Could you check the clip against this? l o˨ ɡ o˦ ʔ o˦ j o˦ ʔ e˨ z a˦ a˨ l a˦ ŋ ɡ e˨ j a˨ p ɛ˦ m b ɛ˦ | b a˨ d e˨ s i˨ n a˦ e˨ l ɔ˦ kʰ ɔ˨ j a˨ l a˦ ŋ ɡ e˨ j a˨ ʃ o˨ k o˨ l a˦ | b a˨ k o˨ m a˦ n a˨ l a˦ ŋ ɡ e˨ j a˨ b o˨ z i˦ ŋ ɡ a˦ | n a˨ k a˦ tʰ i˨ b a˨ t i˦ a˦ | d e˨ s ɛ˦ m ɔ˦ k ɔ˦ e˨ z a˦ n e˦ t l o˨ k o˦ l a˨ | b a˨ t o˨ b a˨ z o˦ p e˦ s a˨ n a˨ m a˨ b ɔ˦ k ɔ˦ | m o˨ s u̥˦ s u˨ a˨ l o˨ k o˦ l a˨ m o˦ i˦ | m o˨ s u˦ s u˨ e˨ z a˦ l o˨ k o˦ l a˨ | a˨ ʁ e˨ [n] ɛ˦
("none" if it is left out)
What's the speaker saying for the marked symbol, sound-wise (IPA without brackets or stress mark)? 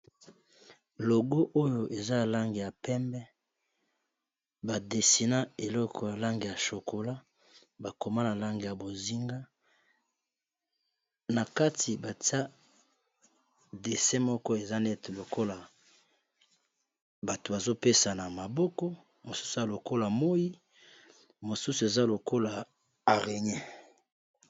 ɲ